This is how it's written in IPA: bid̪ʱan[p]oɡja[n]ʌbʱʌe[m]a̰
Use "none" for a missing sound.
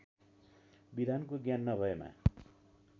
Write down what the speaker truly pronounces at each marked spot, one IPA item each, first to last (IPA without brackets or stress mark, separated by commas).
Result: k, nː, m